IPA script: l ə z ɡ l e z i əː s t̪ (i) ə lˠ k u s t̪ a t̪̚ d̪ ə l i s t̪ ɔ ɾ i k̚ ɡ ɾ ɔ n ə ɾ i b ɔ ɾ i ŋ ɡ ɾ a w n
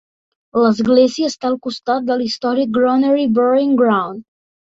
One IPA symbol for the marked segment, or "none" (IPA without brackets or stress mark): a